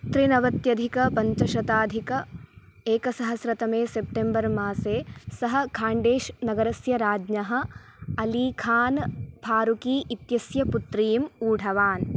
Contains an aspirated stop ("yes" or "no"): yes